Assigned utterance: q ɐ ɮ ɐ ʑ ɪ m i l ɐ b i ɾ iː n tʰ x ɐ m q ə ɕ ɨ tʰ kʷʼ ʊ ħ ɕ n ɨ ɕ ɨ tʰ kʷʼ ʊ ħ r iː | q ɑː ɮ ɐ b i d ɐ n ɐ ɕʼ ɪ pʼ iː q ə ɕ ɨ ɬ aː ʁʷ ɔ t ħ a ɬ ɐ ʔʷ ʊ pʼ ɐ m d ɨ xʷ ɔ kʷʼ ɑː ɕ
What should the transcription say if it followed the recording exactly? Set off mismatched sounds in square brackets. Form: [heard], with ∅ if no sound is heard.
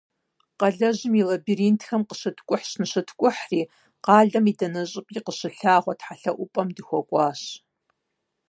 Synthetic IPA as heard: q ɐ ɮ ɐ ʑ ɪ m i l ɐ b i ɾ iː n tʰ x ɐ m q ə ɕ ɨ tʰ kʷʼ ʊ ħ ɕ n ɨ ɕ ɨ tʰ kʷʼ ʊ ħ r iː | q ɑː ɮ ɐ [m] i d ɐ n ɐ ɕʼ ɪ pʼ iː q ə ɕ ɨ ɬ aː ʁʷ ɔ t ħ a ɬ ɐ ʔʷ ʊ pʼ ɐ m d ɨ xʷ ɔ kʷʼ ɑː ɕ